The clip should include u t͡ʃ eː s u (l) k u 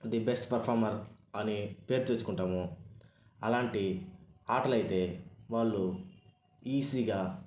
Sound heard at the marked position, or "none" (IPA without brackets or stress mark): none